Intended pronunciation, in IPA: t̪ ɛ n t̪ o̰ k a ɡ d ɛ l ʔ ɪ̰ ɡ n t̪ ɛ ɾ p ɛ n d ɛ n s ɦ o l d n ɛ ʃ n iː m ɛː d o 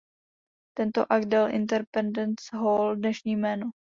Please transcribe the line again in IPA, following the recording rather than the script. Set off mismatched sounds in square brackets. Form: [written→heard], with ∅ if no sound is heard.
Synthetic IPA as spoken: t̪ ɛ n t̪ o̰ [k→ʔ] a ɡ d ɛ l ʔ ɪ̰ [ɡ→∅] n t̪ ɛ ɾ p ɛ n d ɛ n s ɦ o l d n ɛ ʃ [n→ɲ] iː m ɛː [d→n] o

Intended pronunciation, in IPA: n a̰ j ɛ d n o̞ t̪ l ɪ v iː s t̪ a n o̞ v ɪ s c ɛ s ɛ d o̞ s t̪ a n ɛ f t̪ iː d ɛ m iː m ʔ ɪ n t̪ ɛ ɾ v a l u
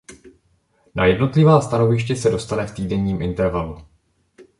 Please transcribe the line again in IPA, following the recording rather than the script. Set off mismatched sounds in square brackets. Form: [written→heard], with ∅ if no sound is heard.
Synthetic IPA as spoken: n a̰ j ɛ d n o̞ t̪ l ɪ v [iː→aː] s t̪ a n o̞ v ɪ [s→ʃ] c ɛ s ɛ d o̞ s t̪ a n ɛ f t̪ iː d ɛ [m→ɲ] iː m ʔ ɪ n t̪ ɛ ɾ v a l u

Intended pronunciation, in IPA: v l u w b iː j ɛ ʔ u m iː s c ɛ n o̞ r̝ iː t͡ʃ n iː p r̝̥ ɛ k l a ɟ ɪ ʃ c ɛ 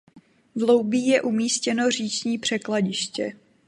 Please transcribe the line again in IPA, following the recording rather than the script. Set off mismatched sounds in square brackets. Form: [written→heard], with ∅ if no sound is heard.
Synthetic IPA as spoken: v l [u→o] w b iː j ɛ ʔ u m iː s c ɛ n o̞ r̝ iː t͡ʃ [n→ɲ] iː p r̝̥ ɛ k l a ɟ ɪ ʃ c ɛ

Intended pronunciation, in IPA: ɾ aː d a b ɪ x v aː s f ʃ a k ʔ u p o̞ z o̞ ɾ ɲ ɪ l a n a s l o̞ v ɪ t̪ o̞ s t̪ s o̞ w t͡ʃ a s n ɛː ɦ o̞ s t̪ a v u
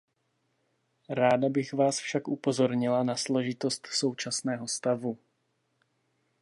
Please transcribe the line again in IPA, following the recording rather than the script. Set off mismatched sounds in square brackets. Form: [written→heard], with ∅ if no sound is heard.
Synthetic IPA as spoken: ɾ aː d a b ɪ x v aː s f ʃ a k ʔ u p o̞ z o̞ ɾ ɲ ɪ l a n a s l o̞ [v→ʒ] ɪ t̪ o̞ s t̪ s o̞ w t͡ʃ a s n ɛː ɦ o̞ s t̪ a v u

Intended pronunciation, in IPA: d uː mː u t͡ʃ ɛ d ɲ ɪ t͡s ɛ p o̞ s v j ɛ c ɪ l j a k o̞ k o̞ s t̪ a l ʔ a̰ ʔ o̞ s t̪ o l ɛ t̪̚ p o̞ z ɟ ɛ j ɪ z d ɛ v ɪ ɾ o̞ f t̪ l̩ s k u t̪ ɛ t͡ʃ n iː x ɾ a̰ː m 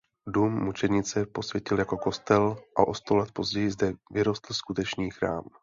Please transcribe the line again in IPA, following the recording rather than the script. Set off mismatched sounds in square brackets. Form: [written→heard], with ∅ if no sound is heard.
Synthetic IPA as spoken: d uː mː u t͡ʃ ɛ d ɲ ɪ t͡s ɛ p o̞ s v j ɛ c ɪ l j a k o̞ k o̞ s t̪ [a→ɛ] l ʔ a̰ ʔ o̞ s t̪ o l ɛ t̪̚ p o̞ z ɟ ɛ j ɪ z d ɛ v ɪ ɾ o̞ [f→s] t̪ l̩ s k u t̪ ɛ t͡ʃ n iː x ɾ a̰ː m

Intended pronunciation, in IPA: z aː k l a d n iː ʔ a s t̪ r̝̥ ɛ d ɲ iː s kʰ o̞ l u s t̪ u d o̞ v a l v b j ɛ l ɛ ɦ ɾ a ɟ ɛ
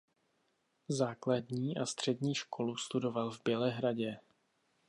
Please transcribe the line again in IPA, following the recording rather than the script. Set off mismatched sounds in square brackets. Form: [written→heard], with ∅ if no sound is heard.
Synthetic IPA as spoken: z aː k l a d [n→ɲ] iː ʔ a s t̪ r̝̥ ɛ d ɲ iː [s→ʃ] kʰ o̞ l u s t̪ u d o̞ v a l v b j ɛ l ɛ ɦ ɾ a ɟ ɛ

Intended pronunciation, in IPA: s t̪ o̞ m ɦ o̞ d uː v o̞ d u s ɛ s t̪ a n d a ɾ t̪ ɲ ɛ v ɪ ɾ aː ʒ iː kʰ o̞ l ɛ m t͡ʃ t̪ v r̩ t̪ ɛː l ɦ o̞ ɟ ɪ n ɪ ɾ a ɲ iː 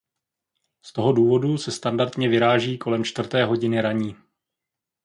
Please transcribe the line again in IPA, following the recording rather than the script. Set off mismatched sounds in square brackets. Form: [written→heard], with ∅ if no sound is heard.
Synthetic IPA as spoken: s t̪ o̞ [m→∅] ɦ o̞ d uː v o̞ d u s ɛ s t̪ a n d a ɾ t̪ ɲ ɛ v ɪ ɾ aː ʒ iː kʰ o̞ l ɛ m t͡ʃ t̪ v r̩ t̪ ɛː [l→∅] ɦ o̞ ɟ ɪ n ɪ ɾ a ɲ iː

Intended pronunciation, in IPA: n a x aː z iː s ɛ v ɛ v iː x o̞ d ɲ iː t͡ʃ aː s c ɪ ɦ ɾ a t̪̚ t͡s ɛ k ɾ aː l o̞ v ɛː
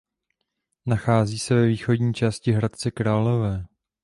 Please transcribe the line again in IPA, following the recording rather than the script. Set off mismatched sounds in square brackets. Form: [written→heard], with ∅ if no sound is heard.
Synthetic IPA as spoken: n a x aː z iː s ɛ v ɛ v iː x o̞ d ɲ iː t͡ʃ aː s c ɪ ɦ ɾ a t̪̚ t͡s ɛ k ɾ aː l o̞ v ɛː

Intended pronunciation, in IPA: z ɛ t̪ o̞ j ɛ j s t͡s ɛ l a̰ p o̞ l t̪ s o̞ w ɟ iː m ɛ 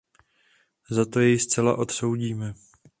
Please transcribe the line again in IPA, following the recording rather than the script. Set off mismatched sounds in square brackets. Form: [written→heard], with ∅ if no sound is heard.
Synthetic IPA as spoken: z [ɛ→a] t̪ o̞ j ɛ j s t͡s ɛ l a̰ [p→ʔ] o̞ [l→∅] t̪ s o̞ w ɟ iː m ɛ

